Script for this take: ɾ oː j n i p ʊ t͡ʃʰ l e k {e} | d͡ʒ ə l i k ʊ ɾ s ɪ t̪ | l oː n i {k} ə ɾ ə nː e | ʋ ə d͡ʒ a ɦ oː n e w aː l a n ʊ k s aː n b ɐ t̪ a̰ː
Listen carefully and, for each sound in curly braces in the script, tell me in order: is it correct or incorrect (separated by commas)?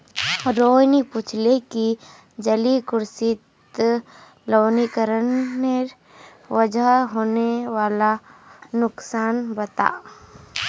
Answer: incorrect, correct